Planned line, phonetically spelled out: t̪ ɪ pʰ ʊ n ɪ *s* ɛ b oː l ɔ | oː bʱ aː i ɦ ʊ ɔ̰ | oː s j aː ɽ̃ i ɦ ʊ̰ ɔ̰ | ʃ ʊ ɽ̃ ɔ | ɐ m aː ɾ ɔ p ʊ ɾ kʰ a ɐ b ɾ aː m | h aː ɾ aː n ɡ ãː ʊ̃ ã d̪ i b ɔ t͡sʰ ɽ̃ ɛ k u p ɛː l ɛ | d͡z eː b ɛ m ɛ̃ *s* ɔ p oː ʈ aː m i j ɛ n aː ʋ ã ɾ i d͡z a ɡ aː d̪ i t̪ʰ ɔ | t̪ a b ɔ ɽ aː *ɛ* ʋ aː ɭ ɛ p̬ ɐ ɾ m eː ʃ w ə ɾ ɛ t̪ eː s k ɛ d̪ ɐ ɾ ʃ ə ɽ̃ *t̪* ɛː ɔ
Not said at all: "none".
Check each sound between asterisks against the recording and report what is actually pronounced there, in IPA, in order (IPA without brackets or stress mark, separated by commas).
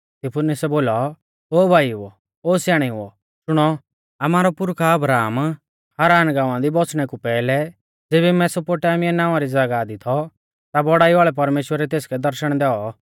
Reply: s, s, i, d̪